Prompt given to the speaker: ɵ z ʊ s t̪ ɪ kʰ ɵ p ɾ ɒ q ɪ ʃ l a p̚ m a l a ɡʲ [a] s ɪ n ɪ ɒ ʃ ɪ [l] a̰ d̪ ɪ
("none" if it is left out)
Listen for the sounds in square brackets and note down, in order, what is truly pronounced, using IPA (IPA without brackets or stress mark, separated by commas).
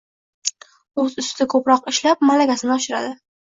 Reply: a, ɾ